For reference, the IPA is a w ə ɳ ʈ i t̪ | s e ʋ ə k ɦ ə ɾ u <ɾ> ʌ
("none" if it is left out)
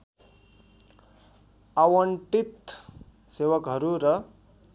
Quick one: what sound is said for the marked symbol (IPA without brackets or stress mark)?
ɾ